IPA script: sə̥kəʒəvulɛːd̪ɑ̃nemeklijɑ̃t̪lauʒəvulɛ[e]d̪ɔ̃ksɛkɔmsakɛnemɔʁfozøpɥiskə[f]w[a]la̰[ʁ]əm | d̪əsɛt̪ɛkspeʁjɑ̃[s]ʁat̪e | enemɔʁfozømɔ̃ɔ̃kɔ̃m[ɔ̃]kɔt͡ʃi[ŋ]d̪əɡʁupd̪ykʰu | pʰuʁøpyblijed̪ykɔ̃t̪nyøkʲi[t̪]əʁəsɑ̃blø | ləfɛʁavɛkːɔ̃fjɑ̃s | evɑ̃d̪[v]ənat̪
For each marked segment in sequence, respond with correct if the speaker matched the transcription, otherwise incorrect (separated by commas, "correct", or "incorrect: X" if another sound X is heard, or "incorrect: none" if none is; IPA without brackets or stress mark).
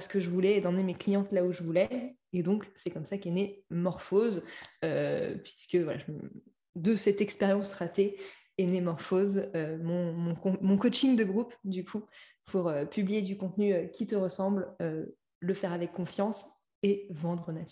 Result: correct, incorrect: v, correct, incorrect: ʒ, correct, correct, correct, correct, incorrect: ʁ